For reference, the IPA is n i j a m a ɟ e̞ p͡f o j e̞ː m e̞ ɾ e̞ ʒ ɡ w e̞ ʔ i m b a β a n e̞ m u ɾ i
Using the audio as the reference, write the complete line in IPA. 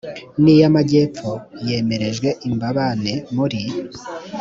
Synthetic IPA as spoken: n i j a m a ɟ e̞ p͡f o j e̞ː m e̞ ɾ e̞ ʒ ɡ w e̞ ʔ i m b a β a n e̞ m u ɾ i